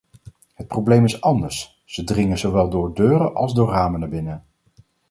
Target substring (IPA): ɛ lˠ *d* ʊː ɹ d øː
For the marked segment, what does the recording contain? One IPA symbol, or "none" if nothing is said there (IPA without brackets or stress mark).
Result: d